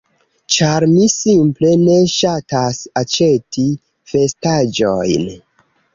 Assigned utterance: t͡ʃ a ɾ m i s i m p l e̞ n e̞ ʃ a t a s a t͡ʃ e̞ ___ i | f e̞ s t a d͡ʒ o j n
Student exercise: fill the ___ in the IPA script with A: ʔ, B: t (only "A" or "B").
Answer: B